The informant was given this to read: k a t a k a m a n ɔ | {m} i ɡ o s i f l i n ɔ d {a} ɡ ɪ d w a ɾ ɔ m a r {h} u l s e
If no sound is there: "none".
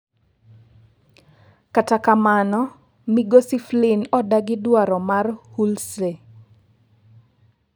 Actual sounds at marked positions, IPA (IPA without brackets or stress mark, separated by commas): m, a, h